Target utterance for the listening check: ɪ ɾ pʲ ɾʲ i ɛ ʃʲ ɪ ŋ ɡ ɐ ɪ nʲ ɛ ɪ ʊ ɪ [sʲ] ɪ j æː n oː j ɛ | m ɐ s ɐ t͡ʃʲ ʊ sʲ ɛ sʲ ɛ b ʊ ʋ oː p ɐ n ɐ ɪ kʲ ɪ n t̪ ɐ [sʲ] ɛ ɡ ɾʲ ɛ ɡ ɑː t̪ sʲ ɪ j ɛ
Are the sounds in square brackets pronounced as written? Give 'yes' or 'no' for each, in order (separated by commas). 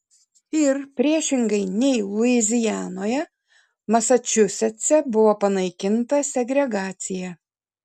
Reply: no, yes